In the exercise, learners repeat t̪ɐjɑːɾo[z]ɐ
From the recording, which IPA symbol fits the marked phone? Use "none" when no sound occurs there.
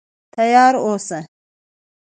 s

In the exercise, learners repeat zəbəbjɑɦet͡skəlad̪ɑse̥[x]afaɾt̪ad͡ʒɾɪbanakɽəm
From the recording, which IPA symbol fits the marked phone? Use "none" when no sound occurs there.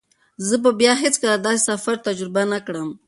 s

